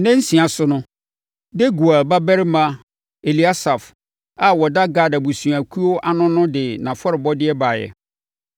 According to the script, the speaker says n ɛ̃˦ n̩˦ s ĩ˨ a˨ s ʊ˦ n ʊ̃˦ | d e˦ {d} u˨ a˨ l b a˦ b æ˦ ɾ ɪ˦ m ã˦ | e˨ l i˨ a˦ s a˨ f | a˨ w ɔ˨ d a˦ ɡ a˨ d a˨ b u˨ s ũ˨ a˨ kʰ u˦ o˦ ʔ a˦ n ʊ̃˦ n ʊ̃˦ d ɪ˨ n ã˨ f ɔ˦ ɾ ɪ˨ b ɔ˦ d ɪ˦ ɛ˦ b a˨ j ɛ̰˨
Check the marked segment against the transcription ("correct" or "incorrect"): incorrect